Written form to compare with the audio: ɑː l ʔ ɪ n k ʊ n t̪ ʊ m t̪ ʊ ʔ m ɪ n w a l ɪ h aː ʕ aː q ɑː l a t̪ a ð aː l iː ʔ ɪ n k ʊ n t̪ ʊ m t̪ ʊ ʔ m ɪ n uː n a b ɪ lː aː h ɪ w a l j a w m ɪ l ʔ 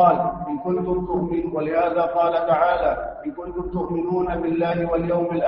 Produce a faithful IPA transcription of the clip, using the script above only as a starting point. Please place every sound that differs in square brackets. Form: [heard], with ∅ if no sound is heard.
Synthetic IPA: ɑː l ʔ ɪ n k ʊ n t̪ ʊ m t̪ ʊ ʔ m ɪ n w a l ɪ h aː [ð] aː q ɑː l a t̪ a [ʕ] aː l [aː] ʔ ɪ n k ʊ n t̪ ʊ m t̪ ʊ ʔ m ɪ n uː n a b ɪ lː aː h ɪ w a l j a w m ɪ l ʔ